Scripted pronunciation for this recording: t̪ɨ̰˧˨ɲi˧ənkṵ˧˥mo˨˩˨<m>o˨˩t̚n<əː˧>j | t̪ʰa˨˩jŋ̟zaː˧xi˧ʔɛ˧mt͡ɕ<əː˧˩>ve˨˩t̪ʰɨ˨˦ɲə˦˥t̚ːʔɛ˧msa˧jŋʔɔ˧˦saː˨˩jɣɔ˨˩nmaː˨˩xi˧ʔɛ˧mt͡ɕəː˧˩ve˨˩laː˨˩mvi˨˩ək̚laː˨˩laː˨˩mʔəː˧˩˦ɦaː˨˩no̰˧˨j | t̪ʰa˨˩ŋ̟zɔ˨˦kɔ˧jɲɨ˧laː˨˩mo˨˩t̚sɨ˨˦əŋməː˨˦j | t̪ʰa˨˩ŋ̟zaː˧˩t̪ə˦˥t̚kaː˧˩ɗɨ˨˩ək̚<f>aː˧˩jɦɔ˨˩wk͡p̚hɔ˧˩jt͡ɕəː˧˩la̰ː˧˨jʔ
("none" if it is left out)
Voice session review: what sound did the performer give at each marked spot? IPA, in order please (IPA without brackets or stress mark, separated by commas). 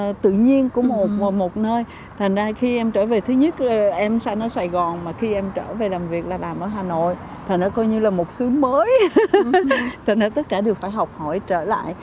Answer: m, əː˧, əː˧˩, f